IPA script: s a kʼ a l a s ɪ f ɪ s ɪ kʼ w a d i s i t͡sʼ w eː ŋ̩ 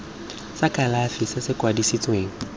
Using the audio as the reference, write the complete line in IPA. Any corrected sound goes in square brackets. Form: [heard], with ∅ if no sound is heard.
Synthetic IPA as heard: s a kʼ a l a [f] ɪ [s] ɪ s ɪ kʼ w a d i s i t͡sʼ w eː ŋ̩